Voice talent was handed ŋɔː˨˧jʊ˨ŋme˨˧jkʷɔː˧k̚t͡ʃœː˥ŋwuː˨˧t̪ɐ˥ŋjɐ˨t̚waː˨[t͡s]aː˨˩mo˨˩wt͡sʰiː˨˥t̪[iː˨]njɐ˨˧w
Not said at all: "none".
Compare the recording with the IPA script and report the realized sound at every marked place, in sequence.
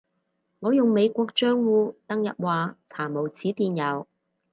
t͡sʰ, iː˨

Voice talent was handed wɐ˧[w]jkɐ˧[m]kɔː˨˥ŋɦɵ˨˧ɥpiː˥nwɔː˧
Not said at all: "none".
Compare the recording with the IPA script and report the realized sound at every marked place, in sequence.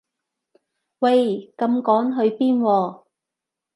none, m

